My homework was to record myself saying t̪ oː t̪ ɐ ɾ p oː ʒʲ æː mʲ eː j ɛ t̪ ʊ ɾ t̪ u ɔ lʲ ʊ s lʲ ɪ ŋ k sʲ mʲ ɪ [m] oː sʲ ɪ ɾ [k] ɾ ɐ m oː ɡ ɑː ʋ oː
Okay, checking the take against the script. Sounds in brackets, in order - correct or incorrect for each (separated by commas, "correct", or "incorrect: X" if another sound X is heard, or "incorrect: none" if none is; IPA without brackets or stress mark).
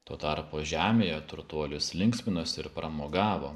incorrect: n, incorrect: p